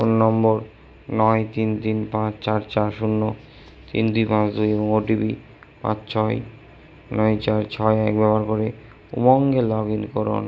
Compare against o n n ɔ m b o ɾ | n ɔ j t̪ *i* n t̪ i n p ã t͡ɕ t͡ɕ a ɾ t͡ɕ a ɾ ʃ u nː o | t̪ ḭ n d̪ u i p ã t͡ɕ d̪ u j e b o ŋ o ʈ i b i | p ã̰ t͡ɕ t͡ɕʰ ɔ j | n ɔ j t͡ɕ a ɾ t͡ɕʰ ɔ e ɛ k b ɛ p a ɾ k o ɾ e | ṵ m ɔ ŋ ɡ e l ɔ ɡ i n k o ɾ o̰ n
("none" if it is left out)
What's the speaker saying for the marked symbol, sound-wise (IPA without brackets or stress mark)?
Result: i